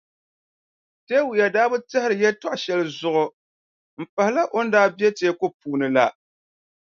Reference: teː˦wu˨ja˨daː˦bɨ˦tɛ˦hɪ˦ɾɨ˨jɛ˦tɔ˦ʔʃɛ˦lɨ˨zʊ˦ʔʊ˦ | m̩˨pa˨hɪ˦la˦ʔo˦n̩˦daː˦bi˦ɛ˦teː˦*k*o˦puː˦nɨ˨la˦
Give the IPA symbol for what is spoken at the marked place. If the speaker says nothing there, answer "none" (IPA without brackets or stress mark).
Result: k